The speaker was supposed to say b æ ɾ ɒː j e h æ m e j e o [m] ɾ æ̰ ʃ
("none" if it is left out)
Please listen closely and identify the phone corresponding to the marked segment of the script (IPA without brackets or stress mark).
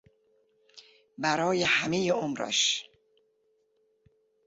m